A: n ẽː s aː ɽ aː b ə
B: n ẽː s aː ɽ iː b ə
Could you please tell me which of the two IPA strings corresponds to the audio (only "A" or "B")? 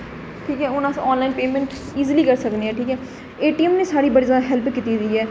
B